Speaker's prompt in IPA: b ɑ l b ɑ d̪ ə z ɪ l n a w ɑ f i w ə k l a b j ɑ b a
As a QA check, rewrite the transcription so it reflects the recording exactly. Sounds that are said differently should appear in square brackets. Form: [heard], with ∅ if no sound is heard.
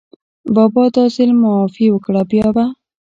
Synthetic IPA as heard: b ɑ [∅] b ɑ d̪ [ɑ] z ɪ l [m] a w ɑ f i w ə k [ɽ] a b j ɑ b a